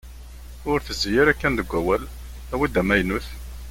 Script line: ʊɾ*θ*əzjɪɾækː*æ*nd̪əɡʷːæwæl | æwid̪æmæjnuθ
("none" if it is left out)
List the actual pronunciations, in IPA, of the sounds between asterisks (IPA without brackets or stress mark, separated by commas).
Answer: θ, æ